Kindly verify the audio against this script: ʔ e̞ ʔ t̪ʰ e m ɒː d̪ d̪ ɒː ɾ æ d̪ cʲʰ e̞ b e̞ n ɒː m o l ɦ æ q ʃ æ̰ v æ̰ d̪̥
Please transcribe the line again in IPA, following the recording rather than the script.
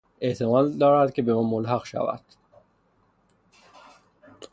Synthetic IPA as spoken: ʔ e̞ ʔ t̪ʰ e m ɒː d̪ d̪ ɒː ɾ æ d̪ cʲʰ e̞ b e̞ m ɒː m o l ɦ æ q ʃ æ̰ v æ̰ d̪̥

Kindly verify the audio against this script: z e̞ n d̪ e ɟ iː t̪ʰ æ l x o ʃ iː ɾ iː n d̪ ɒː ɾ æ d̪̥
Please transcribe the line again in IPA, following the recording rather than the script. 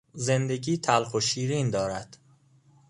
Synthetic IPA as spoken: z e̞ n d̪ e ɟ iː t̪ʰ æ l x o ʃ iː ɾ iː n d̪ ɒː ɾ æ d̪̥

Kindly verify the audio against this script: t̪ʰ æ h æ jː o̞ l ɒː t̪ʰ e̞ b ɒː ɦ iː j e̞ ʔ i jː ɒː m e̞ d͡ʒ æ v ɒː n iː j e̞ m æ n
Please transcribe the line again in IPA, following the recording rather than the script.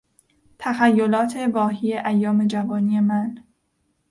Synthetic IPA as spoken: t̪ʰ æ x æ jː o̞ l ɒː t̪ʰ e̞ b ɒː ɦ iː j e̞ ʔ æ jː ɒː m e̞ d͡ʒ æ v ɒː n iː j e̞ m æ n

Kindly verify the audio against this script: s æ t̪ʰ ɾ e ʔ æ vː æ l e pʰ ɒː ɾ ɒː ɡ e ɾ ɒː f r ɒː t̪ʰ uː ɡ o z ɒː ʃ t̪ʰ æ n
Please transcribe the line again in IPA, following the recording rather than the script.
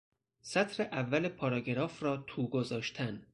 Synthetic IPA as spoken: s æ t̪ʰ ɾ e ʔ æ vː æ l e pʰ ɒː ɾ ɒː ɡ e ɾ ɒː f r ɒː t̪ʰ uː ɡ o z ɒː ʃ t̪ʰ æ n

